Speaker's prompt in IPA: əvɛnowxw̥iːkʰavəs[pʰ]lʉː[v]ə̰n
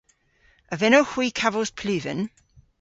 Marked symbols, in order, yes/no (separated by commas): yes, yes